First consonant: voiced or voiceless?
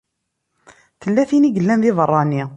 voiceless